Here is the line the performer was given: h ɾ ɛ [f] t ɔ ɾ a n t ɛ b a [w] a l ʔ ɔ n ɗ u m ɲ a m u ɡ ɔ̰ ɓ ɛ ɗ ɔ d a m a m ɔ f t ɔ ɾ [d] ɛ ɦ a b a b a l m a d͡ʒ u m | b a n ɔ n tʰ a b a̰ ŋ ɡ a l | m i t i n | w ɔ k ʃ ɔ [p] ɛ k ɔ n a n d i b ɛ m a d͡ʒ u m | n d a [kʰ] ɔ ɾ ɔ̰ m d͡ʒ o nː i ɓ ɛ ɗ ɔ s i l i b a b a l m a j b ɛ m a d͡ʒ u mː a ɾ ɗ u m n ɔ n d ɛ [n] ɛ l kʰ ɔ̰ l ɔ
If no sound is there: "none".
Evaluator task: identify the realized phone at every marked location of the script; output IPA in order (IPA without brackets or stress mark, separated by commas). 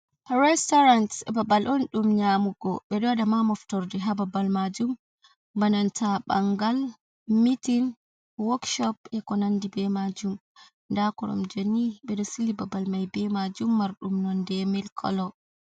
s, b, d, p, k, m